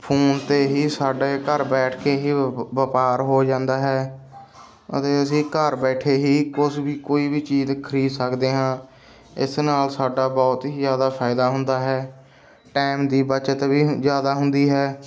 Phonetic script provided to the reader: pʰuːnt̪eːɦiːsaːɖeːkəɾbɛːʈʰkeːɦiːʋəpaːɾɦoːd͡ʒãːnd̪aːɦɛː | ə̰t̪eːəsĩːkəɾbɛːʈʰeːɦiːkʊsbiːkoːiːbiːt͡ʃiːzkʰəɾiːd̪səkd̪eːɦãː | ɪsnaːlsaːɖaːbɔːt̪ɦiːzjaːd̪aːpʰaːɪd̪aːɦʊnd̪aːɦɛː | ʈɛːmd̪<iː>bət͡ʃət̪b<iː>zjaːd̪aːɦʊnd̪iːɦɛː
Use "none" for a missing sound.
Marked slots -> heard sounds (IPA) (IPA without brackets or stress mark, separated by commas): iː, iː